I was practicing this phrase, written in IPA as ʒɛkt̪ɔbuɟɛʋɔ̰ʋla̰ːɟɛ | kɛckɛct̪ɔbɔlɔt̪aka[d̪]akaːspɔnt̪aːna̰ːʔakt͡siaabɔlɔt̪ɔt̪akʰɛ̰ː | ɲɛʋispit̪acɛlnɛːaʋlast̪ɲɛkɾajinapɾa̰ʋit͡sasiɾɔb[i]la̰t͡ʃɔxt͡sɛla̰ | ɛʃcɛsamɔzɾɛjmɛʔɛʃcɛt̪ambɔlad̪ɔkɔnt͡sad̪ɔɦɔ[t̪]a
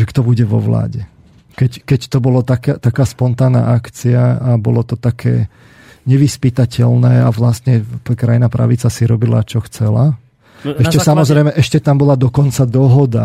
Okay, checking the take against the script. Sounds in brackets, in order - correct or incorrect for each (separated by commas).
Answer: incorrect, correct, incorrect